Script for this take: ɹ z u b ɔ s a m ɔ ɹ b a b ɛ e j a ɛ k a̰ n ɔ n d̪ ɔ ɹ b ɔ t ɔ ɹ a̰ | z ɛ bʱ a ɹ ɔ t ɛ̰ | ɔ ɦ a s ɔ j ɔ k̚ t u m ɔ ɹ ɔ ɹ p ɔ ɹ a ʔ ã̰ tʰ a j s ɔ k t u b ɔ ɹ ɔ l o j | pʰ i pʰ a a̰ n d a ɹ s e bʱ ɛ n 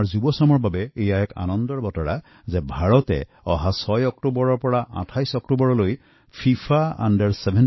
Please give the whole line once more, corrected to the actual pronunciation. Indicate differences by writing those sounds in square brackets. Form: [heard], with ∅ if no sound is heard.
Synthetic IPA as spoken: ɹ z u b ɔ s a m ɔ ɹ b a b ɛ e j a ɛ k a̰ n ɔ n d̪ ɔ ɹ b ɔ t ɔ ɹ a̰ | z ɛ bʱ a ɹ ɔ t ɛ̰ | ɔ ɦ a s ɔ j ɔ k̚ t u [b] ɔ ɹ ɔ ɹ p ɔ ɹ a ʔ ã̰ tʰ a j s ɔ k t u b ɔ ɹ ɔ l o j | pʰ i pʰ a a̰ n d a ɹ s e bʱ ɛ n

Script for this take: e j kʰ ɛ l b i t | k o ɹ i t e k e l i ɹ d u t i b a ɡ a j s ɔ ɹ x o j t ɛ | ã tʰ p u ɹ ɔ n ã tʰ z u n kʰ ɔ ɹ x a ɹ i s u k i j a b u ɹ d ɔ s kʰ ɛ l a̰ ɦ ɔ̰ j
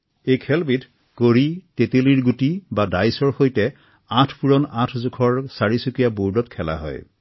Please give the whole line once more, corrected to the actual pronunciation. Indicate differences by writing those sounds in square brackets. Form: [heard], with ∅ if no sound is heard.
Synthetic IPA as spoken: e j kʰ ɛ l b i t | k o ɹ i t e [t] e l i ɹ [ɡ] u t i b a [d] a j s ɔ ɹ x o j t ɛ | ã tʰ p u ɹ ɔ n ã tʰ z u [∅] kʰ ɔ ɹ [s] a ɹ i s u k i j a b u ɹ d ɔ [t] kʰ ɛ l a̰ ɦ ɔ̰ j

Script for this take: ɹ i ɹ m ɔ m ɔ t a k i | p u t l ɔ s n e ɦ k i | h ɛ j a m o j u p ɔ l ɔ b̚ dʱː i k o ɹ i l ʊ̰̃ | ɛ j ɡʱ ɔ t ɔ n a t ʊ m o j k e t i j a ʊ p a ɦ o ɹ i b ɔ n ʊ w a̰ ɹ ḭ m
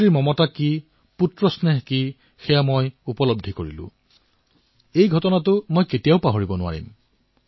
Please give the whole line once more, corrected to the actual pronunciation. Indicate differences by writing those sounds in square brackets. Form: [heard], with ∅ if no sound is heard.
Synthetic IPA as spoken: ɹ i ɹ m ɔ m ɔ t a k i | p u t [ɹ] ɔ s n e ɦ k i | [x] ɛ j a m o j u p ɔ l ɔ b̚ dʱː i k o ɹ i l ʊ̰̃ | [e] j ɡʱ ɔ t ɔ n a t ʊ m o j k e t i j a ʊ p a ɦ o ɹ i b ɔ n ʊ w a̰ ɹ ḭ m

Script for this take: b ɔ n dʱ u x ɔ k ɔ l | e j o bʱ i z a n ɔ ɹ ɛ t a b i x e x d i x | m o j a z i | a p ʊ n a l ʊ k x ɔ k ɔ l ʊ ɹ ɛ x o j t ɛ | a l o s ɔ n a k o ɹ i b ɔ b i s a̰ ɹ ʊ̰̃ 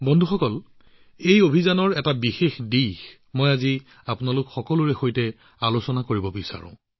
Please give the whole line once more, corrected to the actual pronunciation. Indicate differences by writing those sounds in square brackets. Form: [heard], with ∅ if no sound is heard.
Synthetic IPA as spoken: b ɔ n dʱ u x ɔ k ɔ l | e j o bʱ i z a n ɔ ɹ ɛ t a b i x e x d i x | m o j a z i | a p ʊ n a l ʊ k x ɔ k ɔ l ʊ ɹ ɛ x o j t ɛ | a l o s ɔ n a k o ɹ i b ɔ b i s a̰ ɹ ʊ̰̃

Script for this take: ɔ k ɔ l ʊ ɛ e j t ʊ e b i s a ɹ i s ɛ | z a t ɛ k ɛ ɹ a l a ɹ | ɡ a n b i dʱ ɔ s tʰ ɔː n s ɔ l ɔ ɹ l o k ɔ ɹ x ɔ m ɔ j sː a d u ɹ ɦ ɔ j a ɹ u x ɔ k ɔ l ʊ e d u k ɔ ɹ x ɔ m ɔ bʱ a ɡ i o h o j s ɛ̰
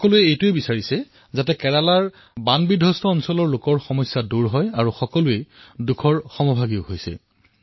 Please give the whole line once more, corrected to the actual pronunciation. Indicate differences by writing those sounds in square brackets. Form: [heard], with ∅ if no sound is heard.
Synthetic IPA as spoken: ɔ k ɔ l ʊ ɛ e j t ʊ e b i s a ɹ i s ɛ | z a t ɛ k ɛ ɹ a l a ɹ | [b] a n b i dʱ ɔ s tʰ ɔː n s ɔ l ɔ ɹ l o k ɔ ɹ x ɔ m ɔ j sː a d u ɹ ɦ ɔ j a ɹ u x ɔ k ɔ l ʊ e d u [kʰ] ɔ ɹ x ɔ m ɔ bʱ a ɡ i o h o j s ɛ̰

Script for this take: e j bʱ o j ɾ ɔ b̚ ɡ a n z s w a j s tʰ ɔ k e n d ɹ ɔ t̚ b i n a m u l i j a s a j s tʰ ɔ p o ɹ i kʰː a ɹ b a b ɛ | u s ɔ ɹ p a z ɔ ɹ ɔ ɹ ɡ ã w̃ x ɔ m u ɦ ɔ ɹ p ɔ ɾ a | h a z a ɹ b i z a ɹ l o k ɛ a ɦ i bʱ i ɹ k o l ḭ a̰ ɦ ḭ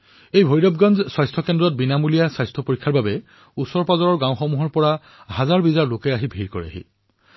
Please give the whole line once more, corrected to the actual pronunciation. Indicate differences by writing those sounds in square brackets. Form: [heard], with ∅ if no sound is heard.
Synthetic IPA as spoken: e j bʱ o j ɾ ɔ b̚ ɡ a n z s w a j s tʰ ɔ k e n d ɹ ɔ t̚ b i n a m u l i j a s a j s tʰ ɔ p o ɹ i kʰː a ɹ b a b ɛ | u s ɔ ɹ p a z ɔ ɹ ɔ ɹ ɡ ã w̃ x ɔ m u ɦ ɔ ɹ p ɔ [ɹ] a | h a z a ɹ b i z a ɹ l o k ɛ a ɦ i bʱ i ɹ k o [ɹ] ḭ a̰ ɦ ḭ

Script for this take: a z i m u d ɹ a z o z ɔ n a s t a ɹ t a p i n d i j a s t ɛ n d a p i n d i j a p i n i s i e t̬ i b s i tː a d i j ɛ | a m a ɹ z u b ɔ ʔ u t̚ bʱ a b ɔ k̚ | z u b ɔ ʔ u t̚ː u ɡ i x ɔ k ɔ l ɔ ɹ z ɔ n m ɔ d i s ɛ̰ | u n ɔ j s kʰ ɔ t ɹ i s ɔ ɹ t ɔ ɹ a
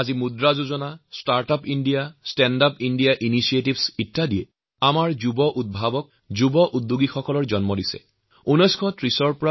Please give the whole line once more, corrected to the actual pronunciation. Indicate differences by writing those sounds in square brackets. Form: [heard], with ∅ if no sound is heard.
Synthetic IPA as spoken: a z i m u d ɹ a z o z ɔ n a s t a ɹ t a p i n d i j a s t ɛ n d a p i n d i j a [ʔ] i n i s i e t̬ i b s i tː a d i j ɛ | a m a ɹ z u b ɔ ʔ u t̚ bʱ a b ɔ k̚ | z u b ɔ ʔ u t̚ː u ɡ i x ɔ k ɔ l ɔ ɹ z ɔ n m ɔ d i s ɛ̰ | u n ɔ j s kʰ ɔ t ɹ i s ɔ ɹ [p] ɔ ɹ a

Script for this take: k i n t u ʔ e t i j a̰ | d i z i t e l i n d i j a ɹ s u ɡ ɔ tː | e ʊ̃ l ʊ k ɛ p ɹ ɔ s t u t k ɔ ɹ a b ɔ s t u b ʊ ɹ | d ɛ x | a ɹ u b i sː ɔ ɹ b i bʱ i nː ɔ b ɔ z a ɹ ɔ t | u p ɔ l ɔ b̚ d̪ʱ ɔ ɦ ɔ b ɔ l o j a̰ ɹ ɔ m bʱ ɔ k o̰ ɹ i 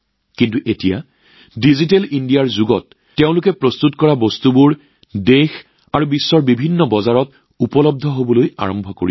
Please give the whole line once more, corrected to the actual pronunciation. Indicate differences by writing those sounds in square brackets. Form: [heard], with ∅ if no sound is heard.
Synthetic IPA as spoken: k i n t u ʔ e t i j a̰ | d i z i t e l i n d i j a ɹ [z] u ɡ ɔ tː | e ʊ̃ l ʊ k ɛ p ɹ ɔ s t u t k ɔ ɹ a b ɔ s t u b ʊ ɹ | d [e] x | a ɹ u b i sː ɔ ɹ b i bʱ i nː ɔ b ɔ z a ɹ ɔ t | u p ɔ l ɔ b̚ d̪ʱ ɔ ɦ [o] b ɔ l o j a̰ ɹ ɔ m bʱ ɔ k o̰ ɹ i

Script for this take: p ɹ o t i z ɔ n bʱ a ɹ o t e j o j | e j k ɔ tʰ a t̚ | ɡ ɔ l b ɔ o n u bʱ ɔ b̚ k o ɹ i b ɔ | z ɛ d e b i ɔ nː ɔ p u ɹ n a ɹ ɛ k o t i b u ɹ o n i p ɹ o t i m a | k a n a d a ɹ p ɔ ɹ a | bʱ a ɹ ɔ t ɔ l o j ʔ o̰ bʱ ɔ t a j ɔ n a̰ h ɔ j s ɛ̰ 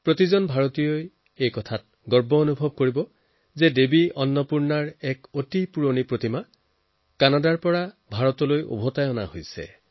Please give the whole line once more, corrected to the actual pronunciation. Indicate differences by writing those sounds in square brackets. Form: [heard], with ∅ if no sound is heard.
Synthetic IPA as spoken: p ɹ o t i z ɔ n bʱ a ɹ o t [i] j o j | e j k ɔ tʰ a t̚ | ɡ ɔ [ɹ] b ɔ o n u bʱ ɔ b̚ k o ɹ i b ɔ | z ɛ d e b i ɔ nː ɔ p u ɹ n a ɹ ɛ k o t i [p] u ɹ o n i p ɹ o t i m a | k a n a d a ɹ p ɔ ɹ a | bʱ a ɹ ɔ t ɔ l o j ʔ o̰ bʱ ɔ t a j ɔ n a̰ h [o] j s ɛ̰

